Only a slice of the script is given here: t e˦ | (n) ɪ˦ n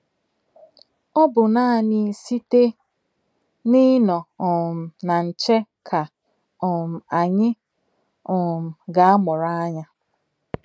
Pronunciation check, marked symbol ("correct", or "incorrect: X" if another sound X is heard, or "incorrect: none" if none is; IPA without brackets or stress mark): correct